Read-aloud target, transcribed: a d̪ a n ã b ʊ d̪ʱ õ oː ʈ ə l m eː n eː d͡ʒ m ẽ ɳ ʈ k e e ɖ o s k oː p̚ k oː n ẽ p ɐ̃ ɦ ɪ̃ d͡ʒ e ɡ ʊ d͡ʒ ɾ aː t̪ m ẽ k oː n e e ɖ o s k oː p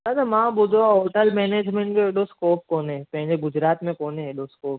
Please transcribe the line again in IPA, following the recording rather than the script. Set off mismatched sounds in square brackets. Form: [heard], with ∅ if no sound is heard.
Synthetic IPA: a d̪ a [m] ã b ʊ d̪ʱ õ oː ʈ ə l m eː n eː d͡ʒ m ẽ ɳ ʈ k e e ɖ o s k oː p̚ k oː n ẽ p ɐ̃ ɦ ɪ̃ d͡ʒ e ɡ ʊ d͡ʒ ɾ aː t̪ m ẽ k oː n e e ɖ o s k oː p